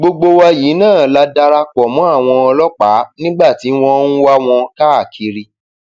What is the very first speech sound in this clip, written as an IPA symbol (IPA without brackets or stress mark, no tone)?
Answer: ɡ͡b